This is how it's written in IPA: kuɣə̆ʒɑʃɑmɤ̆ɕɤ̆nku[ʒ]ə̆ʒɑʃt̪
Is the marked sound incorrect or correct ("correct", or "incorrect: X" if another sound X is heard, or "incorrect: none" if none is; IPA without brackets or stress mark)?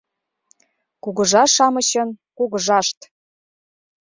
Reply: incorrect: ɣ